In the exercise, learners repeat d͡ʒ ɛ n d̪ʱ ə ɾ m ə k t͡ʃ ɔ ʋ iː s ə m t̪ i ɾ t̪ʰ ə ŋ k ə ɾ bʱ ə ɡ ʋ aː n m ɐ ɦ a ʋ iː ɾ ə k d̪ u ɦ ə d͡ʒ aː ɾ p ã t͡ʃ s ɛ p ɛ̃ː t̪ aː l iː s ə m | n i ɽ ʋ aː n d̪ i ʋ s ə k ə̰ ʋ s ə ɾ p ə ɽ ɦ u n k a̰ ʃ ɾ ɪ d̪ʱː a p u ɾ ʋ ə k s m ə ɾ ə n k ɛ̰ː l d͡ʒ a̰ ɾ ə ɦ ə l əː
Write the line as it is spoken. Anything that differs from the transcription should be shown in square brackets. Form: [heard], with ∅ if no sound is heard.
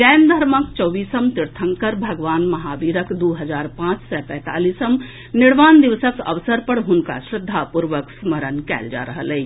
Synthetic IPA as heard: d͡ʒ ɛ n d̪ʱ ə ɾ m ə k t͡ʃ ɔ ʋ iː s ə m t̪ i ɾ t̪ʰ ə ŋ k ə ɾ bʱ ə ɡ ʋ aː n m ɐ ɦ a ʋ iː ɾ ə k d̪ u ɦ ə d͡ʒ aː ɾ p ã t͡ʃ s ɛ p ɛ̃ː t̪ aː l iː s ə m | n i ɽ ʋ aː n d̪ i ʋ s ə k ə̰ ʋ s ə ɾ p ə ɽ ɦ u n k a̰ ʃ ɾ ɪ d̪ʱː a p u ɾ ʋ ə k s m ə ɾ ə n k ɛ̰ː l d͡ʒ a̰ ɾ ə ɦ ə l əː